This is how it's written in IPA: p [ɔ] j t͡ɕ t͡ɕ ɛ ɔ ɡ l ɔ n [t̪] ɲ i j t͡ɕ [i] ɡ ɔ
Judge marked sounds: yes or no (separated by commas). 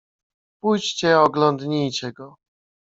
no, no, no